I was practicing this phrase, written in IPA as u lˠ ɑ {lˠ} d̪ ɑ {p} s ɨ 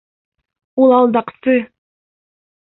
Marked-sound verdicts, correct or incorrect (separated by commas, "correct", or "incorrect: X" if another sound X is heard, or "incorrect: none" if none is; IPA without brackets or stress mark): correct, incorrect: q